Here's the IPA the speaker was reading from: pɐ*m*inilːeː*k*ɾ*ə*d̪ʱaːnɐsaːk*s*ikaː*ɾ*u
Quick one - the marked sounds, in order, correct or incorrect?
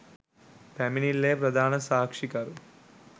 correct, incorrect: p, incorrect: ɐ, incorrect: ʂ, correct

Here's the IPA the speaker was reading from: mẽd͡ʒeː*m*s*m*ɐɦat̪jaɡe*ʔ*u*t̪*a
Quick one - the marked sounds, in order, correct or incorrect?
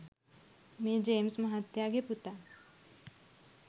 correct, correct, incorrect: p, correct

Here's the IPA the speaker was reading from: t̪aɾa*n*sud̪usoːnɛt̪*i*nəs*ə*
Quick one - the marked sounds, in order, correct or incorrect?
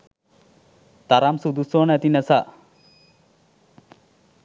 incorrect: m, correct, incorrect: a

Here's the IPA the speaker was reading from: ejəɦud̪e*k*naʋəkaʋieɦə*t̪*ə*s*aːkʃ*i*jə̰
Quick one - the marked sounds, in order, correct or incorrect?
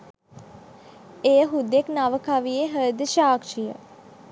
correct, incorrect: d̪, incorrect: ʃ, correct

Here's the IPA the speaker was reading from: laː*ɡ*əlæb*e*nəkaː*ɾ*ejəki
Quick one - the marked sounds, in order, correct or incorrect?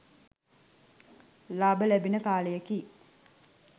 incorrect: b, incorrect: i, incorrect: l

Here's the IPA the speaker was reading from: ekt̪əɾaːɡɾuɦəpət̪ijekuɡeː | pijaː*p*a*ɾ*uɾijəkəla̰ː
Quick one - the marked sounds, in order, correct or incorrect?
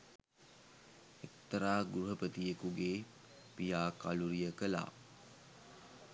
incorrect: k, incorrect: l

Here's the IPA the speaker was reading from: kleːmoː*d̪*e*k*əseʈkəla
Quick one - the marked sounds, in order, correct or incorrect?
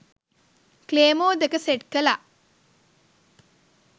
correct, correct

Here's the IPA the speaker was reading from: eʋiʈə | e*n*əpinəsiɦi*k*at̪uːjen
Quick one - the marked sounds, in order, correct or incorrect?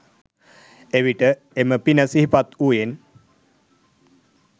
incorrect: m, incorrect: p

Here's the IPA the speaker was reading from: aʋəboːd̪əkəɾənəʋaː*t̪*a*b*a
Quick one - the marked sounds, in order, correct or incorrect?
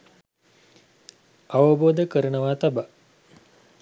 correct, correct

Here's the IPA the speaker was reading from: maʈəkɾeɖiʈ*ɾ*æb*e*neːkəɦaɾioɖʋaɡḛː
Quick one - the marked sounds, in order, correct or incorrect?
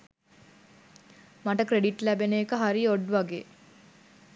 incorrect: l, correct

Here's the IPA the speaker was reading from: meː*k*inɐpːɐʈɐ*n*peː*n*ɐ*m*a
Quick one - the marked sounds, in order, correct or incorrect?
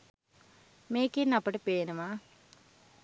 correct, incorrect: none, correct, correct

